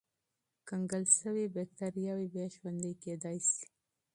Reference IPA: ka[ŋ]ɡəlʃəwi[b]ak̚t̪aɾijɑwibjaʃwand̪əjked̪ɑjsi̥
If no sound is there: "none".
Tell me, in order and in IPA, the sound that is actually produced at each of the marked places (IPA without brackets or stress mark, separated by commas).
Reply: ŋ, b